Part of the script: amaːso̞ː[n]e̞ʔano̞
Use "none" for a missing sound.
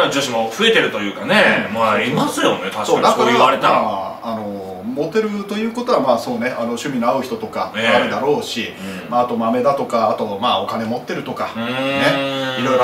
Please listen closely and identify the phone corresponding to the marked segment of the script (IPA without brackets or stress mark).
n